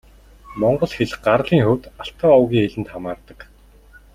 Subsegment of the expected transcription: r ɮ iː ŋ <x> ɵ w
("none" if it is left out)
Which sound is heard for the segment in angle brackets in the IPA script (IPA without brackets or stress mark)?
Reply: x